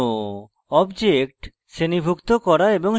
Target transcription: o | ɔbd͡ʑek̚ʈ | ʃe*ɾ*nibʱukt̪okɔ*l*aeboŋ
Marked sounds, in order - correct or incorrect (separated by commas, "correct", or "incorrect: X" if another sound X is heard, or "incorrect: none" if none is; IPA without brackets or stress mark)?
incorrect: none, incorrect: ɾ